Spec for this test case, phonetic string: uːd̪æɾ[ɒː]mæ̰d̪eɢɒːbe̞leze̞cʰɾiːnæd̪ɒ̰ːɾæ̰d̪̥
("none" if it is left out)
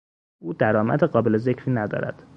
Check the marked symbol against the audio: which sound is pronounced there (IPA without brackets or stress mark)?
ɒː